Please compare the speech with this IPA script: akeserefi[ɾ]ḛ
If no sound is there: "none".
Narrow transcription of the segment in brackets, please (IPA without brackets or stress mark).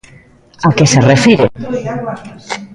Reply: ɾ